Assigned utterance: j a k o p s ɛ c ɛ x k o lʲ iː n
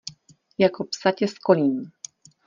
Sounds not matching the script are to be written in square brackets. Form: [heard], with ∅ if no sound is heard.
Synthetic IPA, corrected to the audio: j a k o p s [a] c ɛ [s] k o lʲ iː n